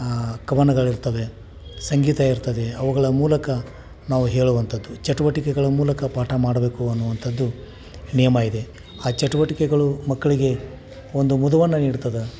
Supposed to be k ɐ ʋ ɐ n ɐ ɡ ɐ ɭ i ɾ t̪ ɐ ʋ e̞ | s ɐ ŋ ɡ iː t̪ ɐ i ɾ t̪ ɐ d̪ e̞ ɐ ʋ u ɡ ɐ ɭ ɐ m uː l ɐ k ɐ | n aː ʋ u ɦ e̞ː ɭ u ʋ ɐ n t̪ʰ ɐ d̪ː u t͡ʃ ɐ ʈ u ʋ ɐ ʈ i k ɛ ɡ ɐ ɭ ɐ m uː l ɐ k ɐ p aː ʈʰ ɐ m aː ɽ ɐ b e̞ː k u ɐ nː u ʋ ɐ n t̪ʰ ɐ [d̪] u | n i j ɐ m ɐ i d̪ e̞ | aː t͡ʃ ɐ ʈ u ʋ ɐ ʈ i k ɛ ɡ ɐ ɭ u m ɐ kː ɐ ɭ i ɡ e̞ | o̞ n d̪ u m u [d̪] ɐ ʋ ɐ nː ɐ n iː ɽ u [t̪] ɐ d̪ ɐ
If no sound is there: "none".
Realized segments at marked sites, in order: d̪ː, d̪, t̪

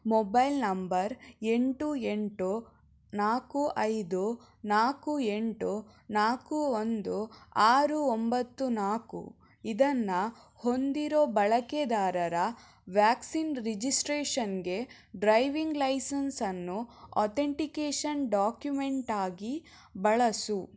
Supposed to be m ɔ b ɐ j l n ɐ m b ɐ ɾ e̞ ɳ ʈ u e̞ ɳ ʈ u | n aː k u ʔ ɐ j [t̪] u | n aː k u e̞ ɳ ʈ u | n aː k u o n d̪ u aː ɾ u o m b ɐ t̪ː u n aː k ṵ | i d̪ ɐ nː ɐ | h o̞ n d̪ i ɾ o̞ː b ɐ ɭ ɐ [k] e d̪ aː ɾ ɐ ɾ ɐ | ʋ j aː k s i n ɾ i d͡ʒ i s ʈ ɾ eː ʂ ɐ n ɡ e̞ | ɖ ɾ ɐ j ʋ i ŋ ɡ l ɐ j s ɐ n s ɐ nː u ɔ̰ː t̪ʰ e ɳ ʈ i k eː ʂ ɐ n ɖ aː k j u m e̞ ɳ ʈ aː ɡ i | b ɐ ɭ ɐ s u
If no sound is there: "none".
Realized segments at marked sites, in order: d̪, k

